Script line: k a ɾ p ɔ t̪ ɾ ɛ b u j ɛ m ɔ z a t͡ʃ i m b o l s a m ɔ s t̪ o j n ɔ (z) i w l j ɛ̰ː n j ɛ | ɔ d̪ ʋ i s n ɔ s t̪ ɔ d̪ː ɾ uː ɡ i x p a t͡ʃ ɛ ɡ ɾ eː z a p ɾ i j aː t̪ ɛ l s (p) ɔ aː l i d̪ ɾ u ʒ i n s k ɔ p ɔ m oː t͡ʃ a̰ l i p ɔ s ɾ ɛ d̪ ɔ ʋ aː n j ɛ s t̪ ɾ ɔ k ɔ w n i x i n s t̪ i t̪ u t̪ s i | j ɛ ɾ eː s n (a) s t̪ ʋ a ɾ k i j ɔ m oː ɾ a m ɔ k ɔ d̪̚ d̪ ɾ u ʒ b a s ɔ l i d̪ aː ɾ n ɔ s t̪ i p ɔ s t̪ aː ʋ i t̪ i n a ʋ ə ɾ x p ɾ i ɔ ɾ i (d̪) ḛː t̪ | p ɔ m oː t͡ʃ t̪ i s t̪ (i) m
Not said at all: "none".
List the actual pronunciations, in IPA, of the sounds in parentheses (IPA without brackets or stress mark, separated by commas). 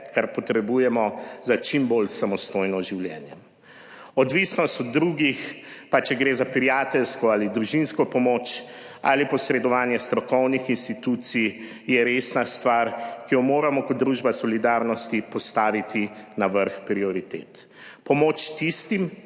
ʒ, k, a, t̪, i